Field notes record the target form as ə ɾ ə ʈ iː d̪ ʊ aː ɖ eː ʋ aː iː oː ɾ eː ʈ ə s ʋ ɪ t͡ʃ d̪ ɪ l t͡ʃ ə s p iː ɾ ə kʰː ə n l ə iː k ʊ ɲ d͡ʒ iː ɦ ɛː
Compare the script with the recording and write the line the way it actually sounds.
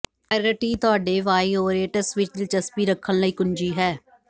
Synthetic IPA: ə ɾ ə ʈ iː t̪ ʊ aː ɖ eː ʋ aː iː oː ɾ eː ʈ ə s ʋ ɪ t͡ʃ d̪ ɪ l t͡ʃ ə s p iː ɾ ə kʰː ə n l ə iː k ʊ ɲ d͡ʒ iː ɦ ɛː